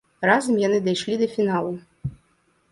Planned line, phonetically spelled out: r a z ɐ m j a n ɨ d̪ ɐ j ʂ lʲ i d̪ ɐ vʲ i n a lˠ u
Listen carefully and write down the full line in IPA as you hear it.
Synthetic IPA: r a z ɐ m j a n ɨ d̪ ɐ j ʂ lʲ i d̪ ɐ fʲ i n a lˠ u